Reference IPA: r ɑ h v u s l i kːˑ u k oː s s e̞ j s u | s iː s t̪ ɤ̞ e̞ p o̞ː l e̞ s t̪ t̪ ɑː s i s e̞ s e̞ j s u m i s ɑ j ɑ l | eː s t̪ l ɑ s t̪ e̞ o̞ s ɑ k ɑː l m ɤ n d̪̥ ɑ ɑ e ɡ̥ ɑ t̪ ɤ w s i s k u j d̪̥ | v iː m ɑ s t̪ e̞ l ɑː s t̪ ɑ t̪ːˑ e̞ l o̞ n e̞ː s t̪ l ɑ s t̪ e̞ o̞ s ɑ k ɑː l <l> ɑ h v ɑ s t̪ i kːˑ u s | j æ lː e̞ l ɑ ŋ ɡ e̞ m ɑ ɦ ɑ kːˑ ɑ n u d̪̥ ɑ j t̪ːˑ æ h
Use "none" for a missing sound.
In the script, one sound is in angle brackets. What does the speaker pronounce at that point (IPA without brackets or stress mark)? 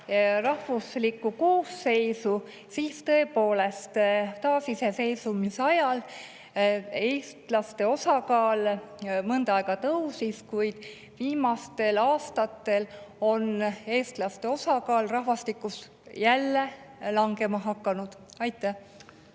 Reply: r